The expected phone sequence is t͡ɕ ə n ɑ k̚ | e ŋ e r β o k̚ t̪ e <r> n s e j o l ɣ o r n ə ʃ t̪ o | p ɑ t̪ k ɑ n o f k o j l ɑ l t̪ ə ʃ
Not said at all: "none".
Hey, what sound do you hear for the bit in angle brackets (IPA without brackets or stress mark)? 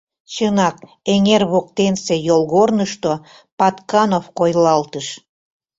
none